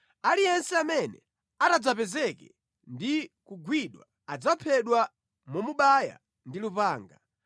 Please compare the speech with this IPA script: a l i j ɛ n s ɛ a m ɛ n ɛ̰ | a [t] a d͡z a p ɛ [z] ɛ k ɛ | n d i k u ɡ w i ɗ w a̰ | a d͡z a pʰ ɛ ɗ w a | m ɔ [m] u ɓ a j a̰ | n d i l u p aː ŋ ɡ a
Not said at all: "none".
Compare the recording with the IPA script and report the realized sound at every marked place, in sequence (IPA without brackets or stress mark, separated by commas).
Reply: t, z, m